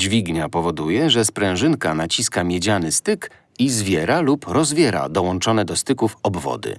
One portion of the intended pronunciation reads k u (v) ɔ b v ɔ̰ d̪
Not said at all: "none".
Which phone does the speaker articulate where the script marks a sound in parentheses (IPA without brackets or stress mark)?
f